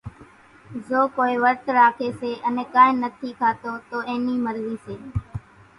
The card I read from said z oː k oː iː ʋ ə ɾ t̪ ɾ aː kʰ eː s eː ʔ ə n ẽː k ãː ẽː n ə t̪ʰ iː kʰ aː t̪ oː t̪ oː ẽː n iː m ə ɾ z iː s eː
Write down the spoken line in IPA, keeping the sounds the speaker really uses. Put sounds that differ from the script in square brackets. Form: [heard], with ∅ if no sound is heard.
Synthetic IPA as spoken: z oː k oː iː ʋ ə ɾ t̪ ɾ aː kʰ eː s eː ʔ ə n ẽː k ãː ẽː n ə t̪ʰ iː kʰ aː t̪ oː t̪ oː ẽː n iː m ə ɾ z iː s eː